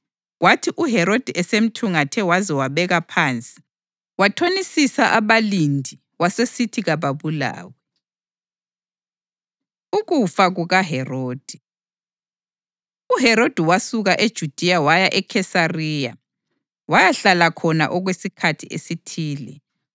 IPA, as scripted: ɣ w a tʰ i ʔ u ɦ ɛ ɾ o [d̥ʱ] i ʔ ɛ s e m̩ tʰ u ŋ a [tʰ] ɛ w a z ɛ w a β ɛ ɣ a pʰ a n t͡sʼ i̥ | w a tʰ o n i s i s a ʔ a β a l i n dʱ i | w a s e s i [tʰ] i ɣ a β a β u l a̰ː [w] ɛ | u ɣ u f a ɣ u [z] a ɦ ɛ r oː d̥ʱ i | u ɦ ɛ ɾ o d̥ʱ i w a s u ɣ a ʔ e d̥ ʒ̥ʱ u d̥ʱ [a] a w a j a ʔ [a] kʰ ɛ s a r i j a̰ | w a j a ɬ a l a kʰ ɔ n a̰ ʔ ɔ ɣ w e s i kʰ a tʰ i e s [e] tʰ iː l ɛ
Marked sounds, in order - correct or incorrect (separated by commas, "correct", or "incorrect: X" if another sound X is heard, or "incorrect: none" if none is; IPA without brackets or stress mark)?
correct, correct, correct, correct, incorrect: ɣ, incorrect: i, incorrect: ɛ, incorrect: i